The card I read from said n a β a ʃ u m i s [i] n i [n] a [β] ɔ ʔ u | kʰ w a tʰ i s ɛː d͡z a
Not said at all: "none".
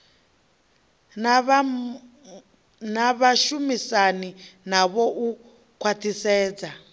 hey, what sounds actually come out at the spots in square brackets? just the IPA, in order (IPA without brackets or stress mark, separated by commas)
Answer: a, n, β